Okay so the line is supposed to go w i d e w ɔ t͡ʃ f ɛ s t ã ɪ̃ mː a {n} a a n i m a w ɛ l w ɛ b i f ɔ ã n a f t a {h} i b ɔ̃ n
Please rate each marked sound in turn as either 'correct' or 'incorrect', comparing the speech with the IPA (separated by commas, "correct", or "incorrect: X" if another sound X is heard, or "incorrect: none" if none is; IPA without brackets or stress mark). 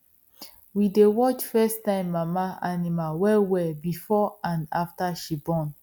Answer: incorrect: m, incorrect: ʃ